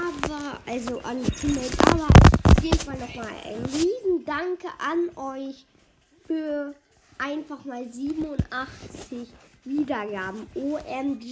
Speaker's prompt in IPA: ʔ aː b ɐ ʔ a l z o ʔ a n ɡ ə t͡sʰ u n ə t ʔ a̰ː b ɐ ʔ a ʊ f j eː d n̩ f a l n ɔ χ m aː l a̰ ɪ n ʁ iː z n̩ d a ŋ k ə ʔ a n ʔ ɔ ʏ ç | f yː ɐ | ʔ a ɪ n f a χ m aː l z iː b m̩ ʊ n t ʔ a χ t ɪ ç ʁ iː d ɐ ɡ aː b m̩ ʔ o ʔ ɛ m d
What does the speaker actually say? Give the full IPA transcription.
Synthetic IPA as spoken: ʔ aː b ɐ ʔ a l z o ʔ a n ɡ ə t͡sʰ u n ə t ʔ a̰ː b ɐ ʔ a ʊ f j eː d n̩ f a l n ɔ χ m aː l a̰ ɪ n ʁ iː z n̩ d a ŋ k ə ʔ a n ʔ ɔ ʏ ç | f yː ɐ | ʔ a ɪ n f a χ m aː l z iː b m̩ ʊ n t ʔ a χ t͡s ɪ ç v iː d ɐ ɡ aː b m̩ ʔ o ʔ ɛ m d